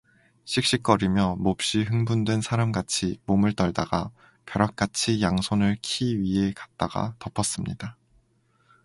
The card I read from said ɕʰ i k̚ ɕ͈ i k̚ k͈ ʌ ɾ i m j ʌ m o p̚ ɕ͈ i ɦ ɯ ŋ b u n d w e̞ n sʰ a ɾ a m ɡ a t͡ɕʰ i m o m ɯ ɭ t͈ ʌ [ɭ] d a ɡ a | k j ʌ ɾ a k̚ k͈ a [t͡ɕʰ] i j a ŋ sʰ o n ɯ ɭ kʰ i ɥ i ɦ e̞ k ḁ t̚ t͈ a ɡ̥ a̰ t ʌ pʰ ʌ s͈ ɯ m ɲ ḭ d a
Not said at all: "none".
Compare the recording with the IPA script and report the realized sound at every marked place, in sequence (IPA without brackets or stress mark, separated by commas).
ɭ, t͡ɕʰ